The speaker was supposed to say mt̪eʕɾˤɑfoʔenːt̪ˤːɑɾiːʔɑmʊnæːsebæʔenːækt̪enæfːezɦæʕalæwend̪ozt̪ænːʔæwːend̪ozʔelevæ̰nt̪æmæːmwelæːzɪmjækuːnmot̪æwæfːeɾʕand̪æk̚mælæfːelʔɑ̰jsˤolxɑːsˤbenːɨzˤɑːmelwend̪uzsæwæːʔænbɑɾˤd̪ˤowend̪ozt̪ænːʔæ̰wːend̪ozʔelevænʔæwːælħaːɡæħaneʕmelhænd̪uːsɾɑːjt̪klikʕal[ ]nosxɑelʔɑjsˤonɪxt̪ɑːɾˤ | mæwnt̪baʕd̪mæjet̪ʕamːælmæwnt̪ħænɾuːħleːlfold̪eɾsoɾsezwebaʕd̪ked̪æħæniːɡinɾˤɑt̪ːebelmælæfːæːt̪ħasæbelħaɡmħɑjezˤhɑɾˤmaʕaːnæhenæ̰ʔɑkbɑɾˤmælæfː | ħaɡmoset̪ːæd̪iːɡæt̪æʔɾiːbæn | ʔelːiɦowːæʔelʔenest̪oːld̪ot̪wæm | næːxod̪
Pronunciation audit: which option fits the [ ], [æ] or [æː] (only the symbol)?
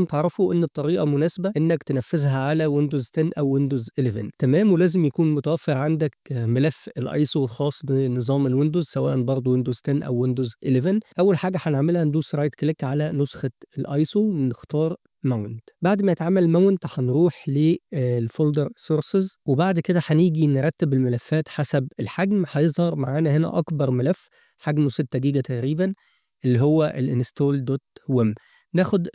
æ